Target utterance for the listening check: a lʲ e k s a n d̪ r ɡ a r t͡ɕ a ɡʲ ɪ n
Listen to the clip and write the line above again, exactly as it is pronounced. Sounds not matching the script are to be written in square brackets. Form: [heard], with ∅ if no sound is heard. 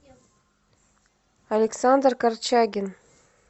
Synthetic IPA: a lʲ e k s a n d̪ r [k] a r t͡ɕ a ɡʲ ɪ n